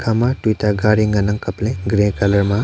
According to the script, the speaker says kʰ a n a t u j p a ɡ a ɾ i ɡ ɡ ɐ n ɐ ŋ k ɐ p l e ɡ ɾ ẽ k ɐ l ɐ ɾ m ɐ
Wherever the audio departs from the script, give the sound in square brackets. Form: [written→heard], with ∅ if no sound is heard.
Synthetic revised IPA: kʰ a [n→m] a t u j [p→t] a ɡ a ɾ i [ɡ→ŋ] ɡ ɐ n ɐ ŋ k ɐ p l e ɡ ɾ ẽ k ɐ l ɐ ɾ m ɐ